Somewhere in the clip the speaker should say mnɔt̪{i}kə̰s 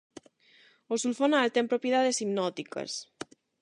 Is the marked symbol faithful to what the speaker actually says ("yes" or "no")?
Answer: yes